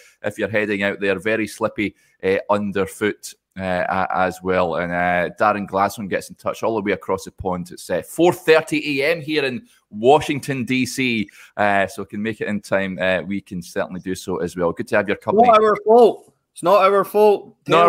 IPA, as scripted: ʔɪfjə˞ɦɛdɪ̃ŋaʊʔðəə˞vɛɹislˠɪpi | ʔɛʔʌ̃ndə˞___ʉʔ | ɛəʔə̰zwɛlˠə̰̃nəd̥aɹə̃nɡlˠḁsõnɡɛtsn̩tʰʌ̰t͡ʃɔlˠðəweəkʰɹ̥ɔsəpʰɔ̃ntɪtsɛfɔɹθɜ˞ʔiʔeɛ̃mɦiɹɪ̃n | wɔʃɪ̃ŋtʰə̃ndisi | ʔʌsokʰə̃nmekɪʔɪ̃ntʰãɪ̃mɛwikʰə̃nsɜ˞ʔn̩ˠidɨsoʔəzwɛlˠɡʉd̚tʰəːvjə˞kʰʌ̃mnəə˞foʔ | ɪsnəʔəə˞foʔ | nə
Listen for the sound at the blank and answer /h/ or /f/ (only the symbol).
f